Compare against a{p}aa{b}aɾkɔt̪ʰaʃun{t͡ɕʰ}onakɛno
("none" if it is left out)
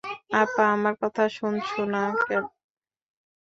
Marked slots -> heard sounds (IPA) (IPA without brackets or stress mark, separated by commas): p, m, t͡ɕʰ